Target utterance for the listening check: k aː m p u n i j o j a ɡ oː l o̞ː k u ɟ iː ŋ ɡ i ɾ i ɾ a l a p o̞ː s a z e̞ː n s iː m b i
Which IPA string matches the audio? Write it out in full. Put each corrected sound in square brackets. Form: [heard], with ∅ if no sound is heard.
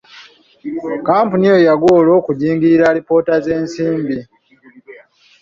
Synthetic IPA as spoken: k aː m p u n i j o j a ɡ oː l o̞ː k u ɟ iː ŋ ɡ i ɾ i ɾ a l [i] p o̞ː [t] a z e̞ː n s iː m b i